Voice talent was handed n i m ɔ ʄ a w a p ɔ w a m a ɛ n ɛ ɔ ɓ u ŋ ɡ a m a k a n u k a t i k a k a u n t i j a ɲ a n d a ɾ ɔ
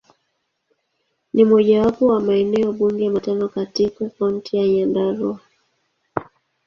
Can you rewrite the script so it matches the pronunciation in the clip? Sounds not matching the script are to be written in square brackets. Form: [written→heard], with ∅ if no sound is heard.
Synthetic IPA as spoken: n i m ɔ ʄ a w a p ɔ w a m a ɛ n ɛ ɔ ɓ u ŋ ɡ [a→ɛ] m a [k→t] a n [u→ɔ] k a t i k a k a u n t i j a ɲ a n d a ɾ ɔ